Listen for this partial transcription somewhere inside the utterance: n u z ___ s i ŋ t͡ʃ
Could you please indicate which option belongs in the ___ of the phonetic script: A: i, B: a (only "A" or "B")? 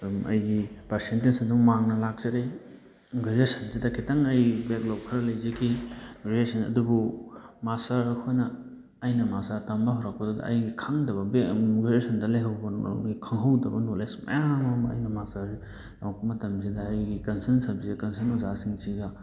B